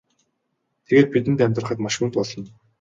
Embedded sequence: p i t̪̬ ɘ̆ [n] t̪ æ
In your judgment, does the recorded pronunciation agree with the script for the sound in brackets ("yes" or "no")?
yes